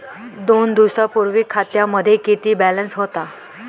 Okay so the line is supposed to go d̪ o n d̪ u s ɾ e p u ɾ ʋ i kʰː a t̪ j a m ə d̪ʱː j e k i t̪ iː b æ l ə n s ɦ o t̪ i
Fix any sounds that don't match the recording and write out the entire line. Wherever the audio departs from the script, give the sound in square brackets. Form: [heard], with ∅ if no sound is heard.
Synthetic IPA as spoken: d̪ o n d̪ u s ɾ [a] p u ɾ ʋ i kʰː a t̪ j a m ə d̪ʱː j e k i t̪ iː b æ l ə n s ɦ o t̪ [a]